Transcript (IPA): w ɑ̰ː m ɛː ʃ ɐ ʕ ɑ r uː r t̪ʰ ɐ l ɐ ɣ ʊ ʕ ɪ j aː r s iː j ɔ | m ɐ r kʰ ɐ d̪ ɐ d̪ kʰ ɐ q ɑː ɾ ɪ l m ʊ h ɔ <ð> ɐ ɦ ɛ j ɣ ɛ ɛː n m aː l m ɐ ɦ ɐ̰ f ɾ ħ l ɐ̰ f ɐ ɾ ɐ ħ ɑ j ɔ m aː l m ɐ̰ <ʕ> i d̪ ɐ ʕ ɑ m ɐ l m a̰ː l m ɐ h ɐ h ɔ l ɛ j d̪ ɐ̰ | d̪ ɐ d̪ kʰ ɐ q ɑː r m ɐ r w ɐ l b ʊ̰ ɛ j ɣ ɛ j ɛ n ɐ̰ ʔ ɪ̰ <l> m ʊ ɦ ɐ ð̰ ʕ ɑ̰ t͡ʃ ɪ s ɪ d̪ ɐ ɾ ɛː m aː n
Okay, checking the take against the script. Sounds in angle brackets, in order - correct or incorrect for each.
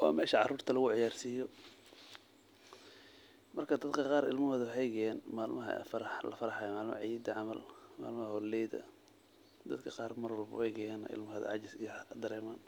correct, correct, correct

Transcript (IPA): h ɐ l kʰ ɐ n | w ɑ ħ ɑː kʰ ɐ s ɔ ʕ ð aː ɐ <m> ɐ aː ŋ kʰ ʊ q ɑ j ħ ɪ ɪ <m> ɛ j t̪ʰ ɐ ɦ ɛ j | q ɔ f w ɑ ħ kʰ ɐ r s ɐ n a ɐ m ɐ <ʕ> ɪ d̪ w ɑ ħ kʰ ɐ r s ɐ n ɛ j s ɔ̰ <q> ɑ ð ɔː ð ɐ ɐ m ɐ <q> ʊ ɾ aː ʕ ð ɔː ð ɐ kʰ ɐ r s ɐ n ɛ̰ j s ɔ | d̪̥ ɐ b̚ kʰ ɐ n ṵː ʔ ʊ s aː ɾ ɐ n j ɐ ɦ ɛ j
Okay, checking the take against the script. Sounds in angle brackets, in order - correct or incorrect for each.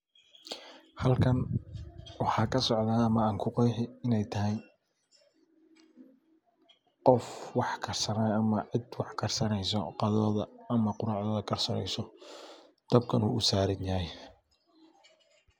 correct, incorrect: n, correct, correct, correct

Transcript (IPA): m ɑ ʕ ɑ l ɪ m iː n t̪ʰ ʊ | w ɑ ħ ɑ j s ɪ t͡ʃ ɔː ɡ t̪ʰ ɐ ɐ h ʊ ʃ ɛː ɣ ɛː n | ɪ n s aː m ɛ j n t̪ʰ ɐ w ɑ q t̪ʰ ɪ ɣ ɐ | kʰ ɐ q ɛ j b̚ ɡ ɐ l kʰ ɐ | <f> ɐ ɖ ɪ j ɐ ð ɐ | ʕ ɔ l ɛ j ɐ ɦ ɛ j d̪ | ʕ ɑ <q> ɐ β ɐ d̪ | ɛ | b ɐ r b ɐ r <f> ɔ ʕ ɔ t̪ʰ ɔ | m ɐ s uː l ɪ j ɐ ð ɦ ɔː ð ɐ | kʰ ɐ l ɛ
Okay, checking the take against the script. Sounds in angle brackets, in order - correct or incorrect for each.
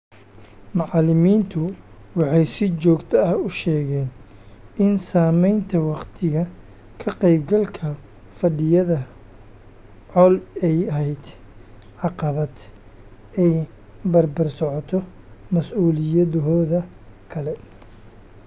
correct, correct, incorrect: s

